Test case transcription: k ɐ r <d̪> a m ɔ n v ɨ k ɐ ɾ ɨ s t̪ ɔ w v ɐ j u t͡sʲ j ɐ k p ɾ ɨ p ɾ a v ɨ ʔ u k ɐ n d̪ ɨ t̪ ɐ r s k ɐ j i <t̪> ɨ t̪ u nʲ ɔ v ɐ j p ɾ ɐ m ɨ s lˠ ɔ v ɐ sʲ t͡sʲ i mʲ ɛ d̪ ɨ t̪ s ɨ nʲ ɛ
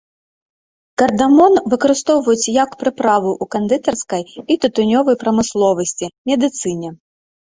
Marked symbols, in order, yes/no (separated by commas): yes, yes